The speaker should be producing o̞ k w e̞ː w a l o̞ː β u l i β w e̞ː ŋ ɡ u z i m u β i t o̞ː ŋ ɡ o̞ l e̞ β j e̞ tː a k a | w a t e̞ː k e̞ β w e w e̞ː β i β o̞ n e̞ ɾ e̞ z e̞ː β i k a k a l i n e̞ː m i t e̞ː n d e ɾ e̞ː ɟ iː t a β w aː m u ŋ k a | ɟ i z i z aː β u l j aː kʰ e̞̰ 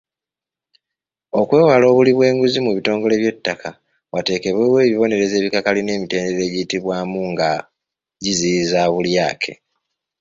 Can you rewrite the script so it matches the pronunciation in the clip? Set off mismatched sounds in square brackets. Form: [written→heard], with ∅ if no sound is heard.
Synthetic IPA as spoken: o̞ k w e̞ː w a l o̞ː β u l i β w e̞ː ŋ ɡ u z i m u β i t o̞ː ŋ ɡ o̞ l e̞ β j e̞ tː a k a | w a t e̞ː k e̞ β w e w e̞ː β i β o̞ n e̞ ɾ e̞ z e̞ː β i k a k a l i n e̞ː m i t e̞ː n d e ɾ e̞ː ɟ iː t [a→i] β w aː m u ŋ [k→ɡ] a | ɟ i z i z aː β u l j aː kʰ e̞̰